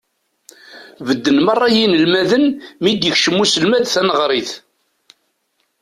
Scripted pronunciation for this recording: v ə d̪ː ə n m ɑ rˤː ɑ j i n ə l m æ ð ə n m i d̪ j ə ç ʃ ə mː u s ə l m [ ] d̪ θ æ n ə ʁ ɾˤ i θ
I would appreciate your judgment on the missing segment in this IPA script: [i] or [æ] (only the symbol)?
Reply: æ